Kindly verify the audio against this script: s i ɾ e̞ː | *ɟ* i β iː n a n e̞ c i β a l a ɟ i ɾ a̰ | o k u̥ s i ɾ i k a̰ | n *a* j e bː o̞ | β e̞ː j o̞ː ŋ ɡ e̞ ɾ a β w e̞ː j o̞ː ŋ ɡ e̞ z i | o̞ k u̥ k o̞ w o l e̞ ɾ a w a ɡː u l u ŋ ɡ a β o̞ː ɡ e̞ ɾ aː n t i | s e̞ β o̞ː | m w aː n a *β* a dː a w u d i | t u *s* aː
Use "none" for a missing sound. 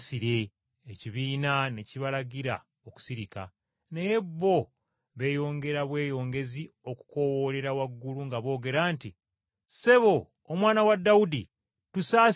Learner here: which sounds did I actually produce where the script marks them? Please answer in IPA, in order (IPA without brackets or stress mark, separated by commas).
c, e, w, s